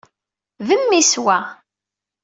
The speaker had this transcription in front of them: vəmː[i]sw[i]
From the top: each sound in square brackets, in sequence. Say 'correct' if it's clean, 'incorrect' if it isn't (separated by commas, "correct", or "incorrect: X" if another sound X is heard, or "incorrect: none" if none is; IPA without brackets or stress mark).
correct, incorrect: æ